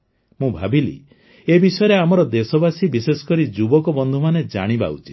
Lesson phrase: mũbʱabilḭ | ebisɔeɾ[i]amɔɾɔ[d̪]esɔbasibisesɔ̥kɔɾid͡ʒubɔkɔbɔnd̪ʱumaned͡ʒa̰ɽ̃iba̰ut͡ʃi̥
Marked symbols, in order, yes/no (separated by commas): no, yes